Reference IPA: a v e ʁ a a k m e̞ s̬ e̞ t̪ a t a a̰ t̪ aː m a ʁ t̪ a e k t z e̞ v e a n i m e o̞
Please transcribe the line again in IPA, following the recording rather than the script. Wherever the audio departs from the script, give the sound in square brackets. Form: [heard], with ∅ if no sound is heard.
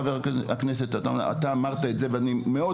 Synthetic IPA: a v e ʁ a a k [n] e̞ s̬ e̞ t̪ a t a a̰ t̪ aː m a ʁ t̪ a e [∅] t z e̞ v e a n i m e o̞

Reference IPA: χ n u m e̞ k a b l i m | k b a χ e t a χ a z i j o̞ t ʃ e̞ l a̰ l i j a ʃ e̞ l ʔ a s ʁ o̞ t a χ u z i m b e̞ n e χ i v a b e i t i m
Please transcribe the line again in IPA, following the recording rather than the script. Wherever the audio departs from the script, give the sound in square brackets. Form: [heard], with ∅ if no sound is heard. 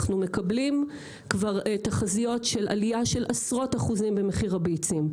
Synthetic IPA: χ n u m e̞ k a b l i m | k [v] a [ʁ] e t a χ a z i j o̞ t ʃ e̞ l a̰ l i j a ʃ e̞ l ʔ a s ʁ o̞ t a χ u z i m b e̞ [m] e χ i [ʁ] a b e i [t͡s] i m

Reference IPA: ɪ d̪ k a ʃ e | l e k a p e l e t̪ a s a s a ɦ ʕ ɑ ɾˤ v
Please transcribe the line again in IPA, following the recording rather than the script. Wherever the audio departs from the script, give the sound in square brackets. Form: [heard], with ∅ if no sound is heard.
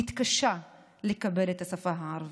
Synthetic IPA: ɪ [t̪] k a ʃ [a] | l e k a [b] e l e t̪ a s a [f] a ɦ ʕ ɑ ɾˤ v

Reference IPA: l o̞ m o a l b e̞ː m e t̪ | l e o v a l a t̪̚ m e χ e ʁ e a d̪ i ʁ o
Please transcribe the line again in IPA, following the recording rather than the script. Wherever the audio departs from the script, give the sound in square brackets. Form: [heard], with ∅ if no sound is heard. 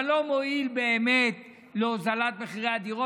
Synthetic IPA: l o̞ m o [i] l b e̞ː m e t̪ | l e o [z] a l a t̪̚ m e χ [i] ʁ e a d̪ i ʁ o

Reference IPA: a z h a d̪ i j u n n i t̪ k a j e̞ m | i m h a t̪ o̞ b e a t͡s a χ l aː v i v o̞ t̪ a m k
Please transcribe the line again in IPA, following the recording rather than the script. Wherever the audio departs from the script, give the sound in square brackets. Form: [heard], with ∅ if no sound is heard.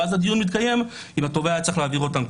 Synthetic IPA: a z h a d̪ i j u n [m] i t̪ k a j e̞ m | i m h a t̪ o̞ [v] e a t͡s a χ l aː v i [ʁ] o̞ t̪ a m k

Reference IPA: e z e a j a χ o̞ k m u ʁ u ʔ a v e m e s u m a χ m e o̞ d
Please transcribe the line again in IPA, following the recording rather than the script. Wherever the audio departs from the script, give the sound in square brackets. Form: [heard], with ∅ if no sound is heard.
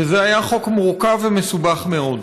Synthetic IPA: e z e a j a χ o̞ k m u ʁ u [k] a v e m e s u [b] a χ m e o̞ d

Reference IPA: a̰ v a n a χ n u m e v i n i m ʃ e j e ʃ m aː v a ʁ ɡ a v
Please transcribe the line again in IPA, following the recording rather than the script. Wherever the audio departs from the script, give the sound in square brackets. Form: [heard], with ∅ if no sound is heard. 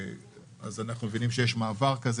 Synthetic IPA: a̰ [z] a n a χ n u m e v i n i m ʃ e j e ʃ m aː v a ʁ [k] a [z]

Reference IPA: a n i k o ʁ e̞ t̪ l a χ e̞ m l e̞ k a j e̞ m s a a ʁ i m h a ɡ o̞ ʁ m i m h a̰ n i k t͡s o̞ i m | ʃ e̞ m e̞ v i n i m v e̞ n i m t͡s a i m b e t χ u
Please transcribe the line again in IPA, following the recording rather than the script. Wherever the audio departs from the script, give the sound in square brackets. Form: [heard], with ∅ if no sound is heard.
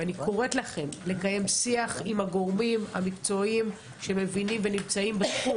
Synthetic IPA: a n i k o ʁ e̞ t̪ l a χ e̞ m l e̞ k a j e̞ m s [i] a [χ] i m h a ɡ o̞ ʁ m i m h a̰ [m] i k t͡s o̞ i m | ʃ e̞ m e̞ v i n i m v e̞ n i m t͡s a i m b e [s] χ u

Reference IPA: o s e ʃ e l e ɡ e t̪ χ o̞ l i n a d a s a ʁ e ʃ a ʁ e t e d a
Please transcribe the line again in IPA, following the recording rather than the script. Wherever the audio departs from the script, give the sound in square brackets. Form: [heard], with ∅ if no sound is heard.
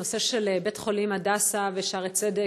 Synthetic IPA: o s e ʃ e l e [b] e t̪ χ o̞ l i [m] a d a s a [v] e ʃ a ʁ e [t͡s] e d [e]

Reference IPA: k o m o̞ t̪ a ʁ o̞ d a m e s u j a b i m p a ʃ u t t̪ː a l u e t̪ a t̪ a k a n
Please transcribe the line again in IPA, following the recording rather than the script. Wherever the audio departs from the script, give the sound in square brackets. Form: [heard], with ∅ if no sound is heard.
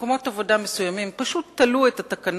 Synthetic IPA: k o m o̞ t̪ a [v] o̞ d a m e s u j a [m] i m p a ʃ u t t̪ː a l u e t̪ a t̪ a k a n

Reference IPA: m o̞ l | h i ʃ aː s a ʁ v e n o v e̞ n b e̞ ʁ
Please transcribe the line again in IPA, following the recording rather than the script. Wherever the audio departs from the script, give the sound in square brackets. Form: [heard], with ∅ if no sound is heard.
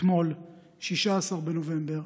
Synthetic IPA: m o̞ l | [ʃ] i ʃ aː s a ʁ [b] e n o v e̞ [m] b e̞ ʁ

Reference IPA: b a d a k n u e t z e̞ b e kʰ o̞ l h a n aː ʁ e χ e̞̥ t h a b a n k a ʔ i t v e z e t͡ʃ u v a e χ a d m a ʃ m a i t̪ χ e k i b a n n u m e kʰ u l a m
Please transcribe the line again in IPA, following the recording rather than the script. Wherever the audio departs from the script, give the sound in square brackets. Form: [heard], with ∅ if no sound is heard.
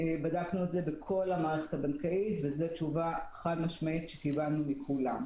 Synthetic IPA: b a d a k n u e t z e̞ b e kʰ o̞ l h a [m] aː ʁ e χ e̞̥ t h a b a n k a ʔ i t v e z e t͡ʃ u v a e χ a d m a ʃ m a i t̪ [ʃ] e k i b a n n u m [i] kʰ u l a m

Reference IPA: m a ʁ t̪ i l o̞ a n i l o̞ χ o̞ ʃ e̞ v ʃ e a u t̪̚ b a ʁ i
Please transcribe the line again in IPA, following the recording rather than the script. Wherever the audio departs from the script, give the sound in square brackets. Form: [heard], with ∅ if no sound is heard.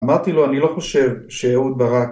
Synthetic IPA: m a ʁ t̪ i l o̞ a n i l o̞ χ o̞ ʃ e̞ v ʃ e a u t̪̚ b a ʁ [a]

